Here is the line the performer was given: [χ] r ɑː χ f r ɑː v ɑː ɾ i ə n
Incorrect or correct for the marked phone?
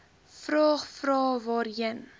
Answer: incorrect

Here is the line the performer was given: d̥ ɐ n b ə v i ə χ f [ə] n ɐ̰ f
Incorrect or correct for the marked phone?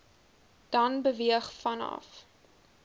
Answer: incorrect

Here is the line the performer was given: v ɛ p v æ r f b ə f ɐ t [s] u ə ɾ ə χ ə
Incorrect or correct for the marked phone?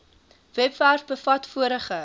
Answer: incorrect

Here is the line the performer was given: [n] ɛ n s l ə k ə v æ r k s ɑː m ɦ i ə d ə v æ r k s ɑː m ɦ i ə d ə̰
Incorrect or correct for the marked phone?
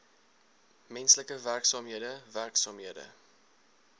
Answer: incorrect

